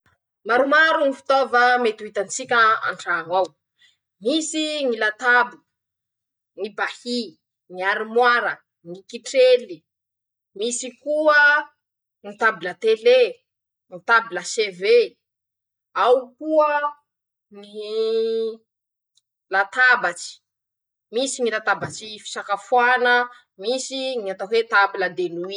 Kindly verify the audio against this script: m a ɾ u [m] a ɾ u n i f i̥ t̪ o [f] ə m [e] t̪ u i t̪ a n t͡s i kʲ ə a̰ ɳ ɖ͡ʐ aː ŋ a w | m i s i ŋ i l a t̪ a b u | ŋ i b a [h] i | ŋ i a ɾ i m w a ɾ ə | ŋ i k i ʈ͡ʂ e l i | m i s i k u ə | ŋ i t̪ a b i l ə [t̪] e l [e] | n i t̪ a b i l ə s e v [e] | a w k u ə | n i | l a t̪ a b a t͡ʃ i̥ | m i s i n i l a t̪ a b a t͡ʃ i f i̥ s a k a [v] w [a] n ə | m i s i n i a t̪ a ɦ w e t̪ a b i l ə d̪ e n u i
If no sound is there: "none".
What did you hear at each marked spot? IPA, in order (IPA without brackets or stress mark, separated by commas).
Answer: m, v, e, h, t̪, e, e, f, a